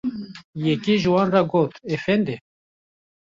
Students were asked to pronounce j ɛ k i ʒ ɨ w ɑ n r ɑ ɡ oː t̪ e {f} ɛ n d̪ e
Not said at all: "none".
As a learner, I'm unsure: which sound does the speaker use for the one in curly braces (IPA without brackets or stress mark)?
f